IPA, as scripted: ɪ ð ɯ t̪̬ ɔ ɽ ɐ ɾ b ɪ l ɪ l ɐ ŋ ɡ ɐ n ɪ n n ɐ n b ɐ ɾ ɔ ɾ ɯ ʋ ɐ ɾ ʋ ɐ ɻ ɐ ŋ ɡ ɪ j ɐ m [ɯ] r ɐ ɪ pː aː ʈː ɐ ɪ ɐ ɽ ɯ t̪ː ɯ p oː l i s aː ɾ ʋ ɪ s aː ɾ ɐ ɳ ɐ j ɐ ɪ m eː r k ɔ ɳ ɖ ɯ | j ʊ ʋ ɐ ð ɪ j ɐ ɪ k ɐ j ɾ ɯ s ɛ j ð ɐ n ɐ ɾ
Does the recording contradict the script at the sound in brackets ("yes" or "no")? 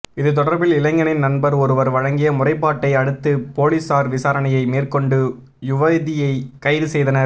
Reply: yes